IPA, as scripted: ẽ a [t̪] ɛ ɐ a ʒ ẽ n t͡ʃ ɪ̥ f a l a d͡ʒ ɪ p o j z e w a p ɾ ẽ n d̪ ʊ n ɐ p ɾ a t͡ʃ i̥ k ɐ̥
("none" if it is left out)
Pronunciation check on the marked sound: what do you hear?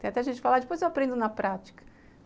t̪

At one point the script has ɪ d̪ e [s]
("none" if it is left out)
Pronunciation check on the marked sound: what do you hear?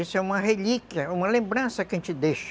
ʃ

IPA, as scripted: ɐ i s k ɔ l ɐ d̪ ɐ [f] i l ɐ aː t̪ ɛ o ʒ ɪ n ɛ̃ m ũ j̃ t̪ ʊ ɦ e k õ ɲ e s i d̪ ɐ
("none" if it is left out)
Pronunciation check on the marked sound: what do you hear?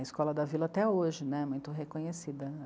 v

